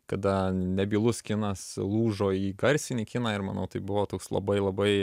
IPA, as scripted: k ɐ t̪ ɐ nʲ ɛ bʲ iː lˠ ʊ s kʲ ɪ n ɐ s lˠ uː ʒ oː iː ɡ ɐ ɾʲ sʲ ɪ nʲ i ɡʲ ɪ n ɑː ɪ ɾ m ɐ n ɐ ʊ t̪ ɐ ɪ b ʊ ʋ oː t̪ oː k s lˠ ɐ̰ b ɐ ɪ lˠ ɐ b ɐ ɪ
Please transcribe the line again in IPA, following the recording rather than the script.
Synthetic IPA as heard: k ɐ d̪ ɐ nʲ ɛ bʲ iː lˠ ʊ s kʲ ɪ n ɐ s lˠ uː ʒ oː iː ɡ ɐ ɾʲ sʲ ɪ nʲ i kʲ ɪ n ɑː ɪ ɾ m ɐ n ɐ ʊ t̪ ɐ ɪ b ʊ ʋ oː t̪ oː k s lˠ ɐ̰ b ɐ ɪ lˠ ɐ b ɐ ɪ